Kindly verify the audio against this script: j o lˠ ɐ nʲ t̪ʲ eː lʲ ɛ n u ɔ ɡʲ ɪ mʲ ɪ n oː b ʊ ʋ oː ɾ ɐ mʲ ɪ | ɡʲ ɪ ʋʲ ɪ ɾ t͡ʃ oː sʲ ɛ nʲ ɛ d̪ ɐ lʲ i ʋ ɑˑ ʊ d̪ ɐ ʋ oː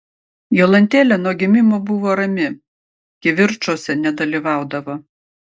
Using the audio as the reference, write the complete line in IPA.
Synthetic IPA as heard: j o lˠ ɐ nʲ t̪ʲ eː lʲ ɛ n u ɔ ɡʲ ɪ mʲ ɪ m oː b ʊ ʋ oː ɾ ɐ mʲ ɪ | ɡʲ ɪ ʋʲ ɪ ɾ t͡ʃ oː sʲ ɛ nʲ ɛ d̪ ɐ lʲ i ʋ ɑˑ ʊ d̪ ɐ ʋ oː

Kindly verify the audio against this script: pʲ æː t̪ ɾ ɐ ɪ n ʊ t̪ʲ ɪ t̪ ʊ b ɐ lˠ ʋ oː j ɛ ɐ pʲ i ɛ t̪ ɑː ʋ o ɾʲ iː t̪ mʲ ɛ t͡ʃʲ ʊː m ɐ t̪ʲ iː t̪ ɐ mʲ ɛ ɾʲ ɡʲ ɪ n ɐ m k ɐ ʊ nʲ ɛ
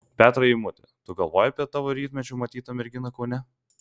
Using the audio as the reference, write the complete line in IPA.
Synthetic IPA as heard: pʲ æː t̪ ɾ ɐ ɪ m ʊ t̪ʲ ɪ t̪ ʊ ɡ ɐ lˠ ʋ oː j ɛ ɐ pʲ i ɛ t̪ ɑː ʋ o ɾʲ iː t̪ mʲ ɛ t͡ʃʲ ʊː m ɐ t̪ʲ iː t̪ ɐ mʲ ɛ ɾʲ ɡʲ ɪ n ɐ k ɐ ʊ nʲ ɛ

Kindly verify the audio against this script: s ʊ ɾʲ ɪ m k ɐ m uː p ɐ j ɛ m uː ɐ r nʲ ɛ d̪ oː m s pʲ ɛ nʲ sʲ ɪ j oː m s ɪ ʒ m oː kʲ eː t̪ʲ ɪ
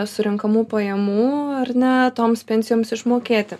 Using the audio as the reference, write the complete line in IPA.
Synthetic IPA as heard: s ʊ ɾʲ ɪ ŋ k ɐ m uː p ɐ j ɛ m uː ɐ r nʲ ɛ t̪ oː m s pʲ ɛ nʲ sʲ ɪ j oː m s ɪ ʃ m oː kʲ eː t̪ʲ ɪ

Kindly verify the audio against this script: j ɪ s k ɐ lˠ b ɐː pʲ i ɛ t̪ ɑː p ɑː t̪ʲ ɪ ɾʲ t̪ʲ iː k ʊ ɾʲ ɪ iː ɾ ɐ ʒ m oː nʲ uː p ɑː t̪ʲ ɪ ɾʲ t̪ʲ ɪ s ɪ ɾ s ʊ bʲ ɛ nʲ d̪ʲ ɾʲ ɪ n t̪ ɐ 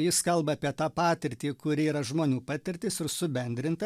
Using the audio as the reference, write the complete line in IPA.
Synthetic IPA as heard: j ɪ s k ɐ lˠ b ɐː pʲ i ɛ t̪ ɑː p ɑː t̪ʲ ɪ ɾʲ t̪ʲ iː k ʊ ɾʲ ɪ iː ɾ ɐ ʒ m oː nʲ uː p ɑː t̪ʲ ɪ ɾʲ t̪ʲ ɪ s ɪ ɾ s ʊ bʲ ɛ nʲ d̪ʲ ɾʲ ɪ n t̪ ɐ

